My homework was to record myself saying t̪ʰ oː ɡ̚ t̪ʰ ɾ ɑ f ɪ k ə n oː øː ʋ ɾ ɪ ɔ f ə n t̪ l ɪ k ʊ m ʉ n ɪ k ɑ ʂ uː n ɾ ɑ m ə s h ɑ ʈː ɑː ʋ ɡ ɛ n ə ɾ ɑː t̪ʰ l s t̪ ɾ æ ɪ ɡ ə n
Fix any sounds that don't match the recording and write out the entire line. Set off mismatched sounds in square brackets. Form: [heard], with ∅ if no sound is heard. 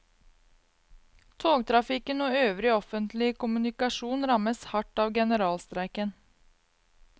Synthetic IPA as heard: t̪ʰ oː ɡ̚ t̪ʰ ɾ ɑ f ɪ k ə n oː øː ʋ ɾ ɪ ɔ f ə n t̪ l ɪ k ʊ m ʉ n ɪ k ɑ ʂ uː n ɾ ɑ m ə s h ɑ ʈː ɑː ʋ ɡ ɛ n ə ɾ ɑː [∅] l s t̪ ɾ æ ɪ [k] ə n